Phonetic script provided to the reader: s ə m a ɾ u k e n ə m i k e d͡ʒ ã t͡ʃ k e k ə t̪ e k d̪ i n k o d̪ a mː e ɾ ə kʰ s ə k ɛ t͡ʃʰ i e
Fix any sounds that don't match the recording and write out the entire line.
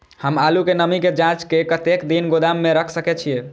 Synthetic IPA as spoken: h ə m a l u k e n ə m i k e d͡ʒ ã t͡ʃ k e k ə t̪ e k d̪ i n ɡ o d̪ a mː e ɾ ə kʰ s ə k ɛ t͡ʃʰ i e